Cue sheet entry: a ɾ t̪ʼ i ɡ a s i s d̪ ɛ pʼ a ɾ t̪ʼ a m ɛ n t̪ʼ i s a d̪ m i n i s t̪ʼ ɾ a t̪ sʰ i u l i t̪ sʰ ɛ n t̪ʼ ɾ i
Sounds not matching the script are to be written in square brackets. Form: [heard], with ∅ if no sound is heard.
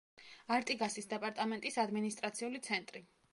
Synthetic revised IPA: a ɾ t̪ʼ i ɡ a s i s d̪ ɛ pʼ a ɾ t̪ʼ a m ɛ n t̪ʼ i s a d̪ m i n i s t̪ʼ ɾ a t̪ sʰ i u l i t̪ sʰ ɛ n t̪ʼ ɾ i